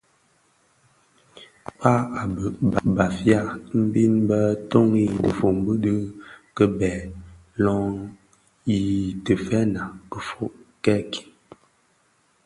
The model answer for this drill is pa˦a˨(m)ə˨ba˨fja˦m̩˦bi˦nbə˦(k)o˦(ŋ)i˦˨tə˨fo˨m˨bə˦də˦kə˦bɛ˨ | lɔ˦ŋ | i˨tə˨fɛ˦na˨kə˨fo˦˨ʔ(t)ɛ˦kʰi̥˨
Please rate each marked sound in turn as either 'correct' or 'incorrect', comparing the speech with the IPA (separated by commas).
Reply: incorrect, incorrect, correct, incorrect